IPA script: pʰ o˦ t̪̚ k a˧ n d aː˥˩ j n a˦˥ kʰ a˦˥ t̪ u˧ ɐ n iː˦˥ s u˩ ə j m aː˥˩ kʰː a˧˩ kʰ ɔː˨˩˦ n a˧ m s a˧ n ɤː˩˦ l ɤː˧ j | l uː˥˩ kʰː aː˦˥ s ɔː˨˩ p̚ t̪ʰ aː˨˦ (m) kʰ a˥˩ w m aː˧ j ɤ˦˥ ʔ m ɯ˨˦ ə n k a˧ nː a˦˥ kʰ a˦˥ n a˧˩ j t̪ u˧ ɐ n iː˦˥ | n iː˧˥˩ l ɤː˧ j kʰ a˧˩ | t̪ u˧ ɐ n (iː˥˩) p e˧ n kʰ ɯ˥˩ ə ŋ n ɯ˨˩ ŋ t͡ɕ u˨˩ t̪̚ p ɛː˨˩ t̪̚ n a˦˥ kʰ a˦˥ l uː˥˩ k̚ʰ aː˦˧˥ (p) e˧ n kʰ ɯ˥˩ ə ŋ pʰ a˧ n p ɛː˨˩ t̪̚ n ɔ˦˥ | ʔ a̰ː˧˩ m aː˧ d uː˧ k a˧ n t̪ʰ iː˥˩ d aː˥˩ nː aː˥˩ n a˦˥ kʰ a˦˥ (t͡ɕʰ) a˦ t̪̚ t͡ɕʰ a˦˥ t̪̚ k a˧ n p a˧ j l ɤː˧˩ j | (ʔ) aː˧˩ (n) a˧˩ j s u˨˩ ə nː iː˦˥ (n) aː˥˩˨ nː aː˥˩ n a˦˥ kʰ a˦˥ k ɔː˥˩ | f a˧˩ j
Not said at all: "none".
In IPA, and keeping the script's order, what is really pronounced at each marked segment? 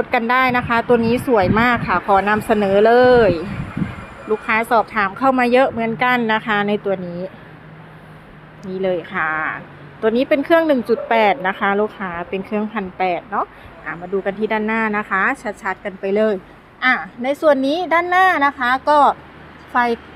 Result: m, iː˦˥, p, t͡ɕʰ, ʔ, n, d

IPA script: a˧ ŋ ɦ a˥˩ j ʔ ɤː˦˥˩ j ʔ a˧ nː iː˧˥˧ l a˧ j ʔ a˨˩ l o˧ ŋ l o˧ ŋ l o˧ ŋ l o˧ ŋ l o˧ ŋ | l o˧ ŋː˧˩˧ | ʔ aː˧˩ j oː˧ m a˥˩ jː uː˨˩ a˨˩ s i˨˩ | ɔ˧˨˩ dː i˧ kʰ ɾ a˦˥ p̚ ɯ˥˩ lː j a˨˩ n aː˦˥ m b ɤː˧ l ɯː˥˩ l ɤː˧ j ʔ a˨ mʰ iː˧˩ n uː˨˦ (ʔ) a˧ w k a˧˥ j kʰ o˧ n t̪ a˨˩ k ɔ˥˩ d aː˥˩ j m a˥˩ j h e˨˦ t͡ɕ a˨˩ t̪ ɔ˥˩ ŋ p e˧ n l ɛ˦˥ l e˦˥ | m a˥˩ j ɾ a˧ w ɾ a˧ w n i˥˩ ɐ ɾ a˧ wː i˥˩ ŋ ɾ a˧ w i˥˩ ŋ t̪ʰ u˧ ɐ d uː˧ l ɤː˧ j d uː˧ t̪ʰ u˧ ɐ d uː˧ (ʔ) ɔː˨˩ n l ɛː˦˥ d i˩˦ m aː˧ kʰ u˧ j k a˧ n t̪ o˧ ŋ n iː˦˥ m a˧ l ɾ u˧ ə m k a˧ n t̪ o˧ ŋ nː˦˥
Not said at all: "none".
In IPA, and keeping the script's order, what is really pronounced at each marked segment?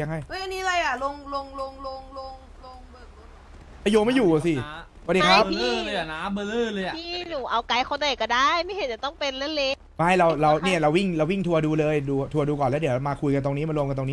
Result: ʔ, k

